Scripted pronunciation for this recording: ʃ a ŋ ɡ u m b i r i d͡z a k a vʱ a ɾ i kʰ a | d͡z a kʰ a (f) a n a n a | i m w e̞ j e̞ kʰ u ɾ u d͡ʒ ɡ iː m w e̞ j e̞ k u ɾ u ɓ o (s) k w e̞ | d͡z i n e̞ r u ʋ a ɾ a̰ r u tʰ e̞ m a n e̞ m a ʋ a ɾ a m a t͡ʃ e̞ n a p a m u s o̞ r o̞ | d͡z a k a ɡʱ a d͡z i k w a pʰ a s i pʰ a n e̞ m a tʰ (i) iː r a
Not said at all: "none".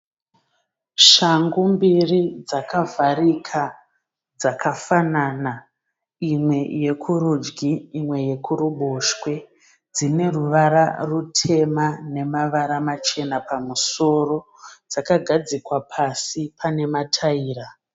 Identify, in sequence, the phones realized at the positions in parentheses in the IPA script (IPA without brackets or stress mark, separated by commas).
f, ʃ, a